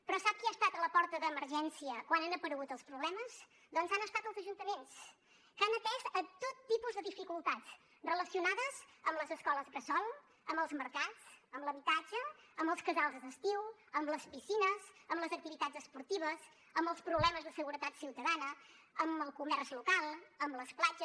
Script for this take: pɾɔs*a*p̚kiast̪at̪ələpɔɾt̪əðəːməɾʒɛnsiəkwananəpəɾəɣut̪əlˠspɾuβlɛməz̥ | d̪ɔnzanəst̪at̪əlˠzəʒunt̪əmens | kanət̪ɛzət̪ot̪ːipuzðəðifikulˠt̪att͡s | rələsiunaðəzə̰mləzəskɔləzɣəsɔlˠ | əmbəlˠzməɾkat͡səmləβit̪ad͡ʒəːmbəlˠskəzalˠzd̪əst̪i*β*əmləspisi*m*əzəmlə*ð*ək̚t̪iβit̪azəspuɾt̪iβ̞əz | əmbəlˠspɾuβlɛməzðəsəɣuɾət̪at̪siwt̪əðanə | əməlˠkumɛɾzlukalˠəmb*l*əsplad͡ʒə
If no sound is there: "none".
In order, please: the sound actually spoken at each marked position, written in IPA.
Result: a, w, n, z, l

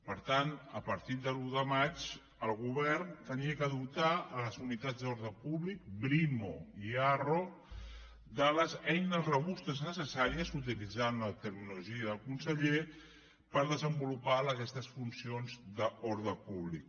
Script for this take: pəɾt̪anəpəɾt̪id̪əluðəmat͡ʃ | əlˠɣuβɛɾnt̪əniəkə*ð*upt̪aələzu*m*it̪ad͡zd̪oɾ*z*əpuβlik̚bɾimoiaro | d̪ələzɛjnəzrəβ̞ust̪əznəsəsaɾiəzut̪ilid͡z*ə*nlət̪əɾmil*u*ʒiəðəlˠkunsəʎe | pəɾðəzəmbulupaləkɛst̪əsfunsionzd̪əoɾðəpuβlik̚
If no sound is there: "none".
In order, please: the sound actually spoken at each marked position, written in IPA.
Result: ð, n, ð, a, u

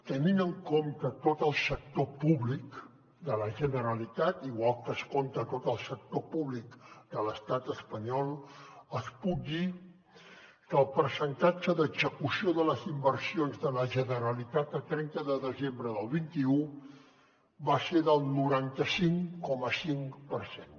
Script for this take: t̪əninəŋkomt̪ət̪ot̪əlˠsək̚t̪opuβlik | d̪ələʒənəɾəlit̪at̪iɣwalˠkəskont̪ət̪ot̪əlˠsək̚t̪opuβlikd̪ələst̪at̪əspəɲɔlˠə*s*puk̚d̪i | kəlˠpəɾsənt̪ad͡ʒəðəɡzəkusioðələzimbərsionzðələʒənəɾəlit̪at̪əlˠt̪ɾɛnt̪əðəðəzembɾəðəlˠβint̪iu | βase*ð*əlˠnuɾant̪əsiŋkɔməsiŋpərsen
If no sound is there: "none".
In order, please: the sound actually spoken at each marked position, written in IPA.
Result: s, ð

